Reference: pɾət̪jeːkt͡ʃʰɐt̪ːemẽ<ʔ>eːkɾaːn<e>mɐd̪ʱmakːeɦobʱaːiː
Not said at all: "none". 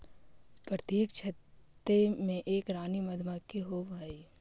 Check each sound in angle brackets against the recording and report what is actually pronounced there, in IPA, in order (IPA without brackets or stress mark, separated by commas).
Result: ʔ, i